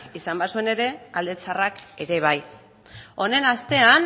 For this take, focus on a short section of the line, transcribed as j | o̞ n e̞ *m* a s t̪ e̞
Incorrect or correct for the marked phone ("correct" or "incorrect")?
incorrect